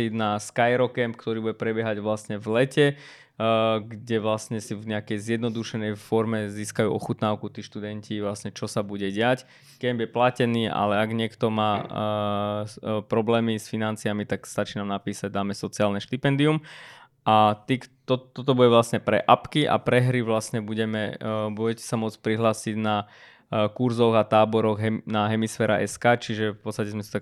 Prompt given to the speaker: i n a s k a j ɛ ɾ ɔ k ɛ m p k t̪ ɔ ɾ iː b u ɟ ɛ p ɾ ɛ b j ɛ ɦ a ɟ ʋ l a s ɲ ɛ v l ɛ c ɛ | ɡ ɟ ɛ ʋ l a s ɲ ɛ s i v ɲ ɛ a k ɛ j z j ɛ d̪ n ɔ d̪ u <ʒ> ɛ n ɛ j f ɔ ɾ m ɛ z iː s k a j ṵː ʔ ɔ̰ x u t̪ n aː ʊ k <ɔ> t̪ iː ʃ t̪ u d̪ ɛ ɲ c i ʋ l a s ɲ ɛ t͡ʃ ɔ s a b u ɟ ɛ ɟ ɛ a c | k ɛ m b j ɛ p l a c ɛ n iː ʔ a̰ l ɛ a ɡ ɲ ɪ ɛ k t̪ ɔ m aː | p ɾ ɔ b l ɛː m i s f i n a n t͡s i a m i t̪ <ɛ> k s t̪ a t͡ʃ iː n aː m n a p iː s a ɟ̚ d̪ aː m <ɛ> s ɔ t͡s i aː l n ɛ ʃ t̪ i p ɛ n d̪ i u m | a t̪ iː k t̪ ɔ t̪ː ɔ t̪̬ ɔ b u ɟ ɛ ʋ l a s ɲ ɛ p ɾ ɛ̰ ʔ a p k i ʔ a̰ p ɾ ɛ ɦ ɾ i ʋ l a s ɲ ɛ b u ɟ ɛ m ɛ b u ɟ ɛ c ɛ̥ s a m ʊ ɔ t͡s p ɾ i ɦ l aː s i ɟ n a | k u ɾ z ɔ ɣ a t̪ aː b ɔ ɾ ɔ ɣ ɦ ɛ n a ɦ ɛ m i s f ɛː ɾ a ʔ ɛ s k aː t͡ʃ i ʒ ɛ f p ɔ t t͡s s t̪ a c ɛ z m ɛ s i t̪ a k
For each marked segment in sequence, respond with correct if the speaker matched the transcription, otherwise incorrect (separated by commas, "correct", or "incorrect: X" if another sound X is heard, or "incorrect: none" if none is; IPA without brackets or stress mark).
incorrect: ʃ, incorrect: u, incorrect: a, correct